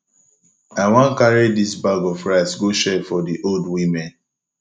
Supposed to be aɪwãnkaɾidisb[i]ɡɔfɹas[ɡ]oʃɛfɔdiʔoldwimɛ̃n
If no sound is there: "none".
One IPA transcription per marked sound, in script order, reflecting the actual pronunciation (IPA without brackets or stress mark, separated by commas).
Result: a, ɡ